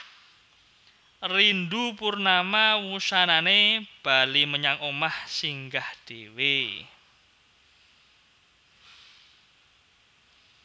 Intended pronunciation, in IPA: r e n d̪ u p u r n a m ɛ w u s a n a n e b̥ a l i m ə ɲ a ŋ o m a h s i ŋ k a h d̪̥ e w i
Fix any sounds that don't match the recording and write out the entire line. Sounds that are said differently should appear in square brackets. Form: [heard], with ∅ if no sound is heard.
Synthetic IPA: r [i] n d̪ u p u r n a m [a] w u s a n a n e b̥ a l i m ə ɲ a ŋ o m a h s i ŋ [ɡ] a h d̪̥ e w [e]